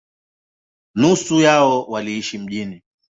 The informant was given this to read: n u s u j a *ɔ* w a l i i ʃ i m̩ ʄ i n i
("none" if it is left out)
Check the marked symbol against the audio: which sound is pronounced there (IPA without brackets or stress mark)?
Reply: ɔ